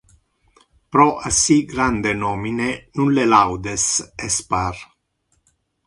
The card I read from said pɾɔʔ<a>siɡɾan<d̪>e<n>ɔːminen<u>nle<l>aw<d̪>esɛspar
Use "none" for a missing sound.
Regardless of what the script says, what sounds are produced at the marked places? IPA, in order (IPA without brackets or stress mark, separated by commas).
a, d̪, n, u, l, d̪